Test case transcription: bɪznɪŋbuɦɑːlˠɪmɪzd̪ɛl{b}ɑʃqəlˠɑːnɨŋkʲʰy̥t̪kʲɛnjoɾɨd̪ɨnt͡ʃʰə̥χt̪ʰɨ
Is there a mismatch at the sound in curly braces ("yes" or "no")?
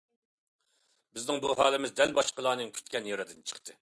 no